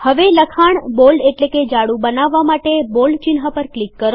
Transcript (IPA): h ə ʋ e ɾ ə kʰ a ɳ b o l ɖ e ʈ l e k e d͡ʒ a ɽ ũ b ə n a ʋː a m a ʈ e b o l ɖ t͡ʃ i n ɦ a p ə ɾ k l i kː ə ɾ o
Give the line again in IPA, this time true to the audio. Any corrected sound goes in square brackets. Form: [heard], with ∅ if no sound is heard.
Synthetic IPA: h ə ʋ e [l] ə kʰ a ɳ b o l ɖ e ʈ l e k e d͡ʒ a ɽ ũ b ə n a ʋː a m a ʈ e b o l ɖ t͡ʃ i n ɦ a p ə ɾ k l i kː ə ɾ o